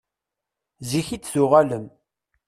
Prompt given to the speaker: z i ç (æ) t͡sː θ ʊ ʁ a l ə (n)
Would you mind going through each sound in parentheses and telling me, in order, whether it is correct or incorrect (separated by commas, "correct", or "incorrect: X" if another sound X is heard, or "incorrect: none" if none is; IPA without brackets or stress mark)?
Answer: incorrect: i, incorrect: m